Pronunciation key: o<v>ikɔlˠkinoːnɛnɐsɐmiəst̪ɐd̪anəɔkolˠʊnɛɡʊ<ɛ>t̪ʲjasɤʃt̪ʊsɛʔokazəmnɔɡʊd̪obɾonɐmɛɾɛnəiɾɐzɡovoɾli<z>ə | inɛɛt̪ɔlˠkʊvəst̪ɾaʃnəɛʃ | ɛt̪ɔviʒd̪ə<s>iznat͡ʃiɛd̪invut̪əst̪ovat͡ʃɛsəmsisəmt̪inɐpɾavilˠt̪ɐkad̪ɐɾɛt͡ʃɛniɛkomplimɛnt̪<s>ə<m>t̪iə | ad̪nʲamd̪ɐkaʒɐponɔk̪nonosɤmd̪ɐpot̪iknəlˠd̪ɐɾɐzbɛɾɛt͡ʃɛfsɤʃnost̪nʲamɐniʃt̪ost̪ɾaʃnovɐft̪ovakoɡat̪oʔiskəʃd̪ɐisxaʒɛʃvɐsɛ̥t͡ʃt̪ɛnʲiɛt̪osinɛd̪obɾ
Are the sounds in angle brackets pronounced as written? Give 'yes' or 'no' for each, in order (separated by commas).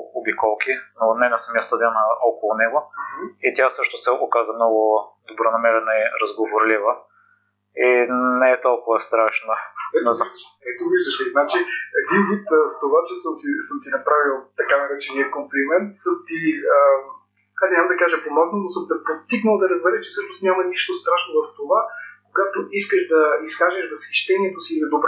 no, no, no, no, yes, yes